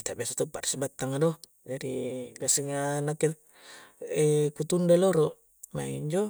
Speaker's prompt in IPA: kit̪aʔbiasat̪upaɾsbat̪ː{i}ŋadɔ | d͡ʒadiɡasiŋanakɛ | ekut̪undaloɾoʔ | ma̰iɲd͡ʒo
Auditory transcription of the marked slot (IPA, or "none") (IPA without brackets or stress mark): a